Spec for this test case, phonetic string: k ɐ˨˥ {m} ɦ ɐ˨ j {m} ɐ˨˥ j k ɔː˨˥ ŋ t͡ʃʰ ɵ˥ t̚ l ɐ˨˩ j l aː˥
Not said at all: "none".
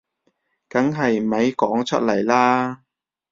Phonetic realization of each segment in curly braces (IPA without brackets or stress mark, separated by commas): ŋ, m